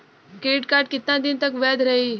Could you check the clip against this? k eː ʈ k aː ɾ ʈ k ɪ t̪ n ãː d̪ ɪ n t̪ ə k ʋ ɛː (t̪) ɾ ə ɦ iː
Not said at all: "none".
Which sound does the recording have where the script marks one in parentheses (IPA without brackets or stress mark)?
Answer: d̪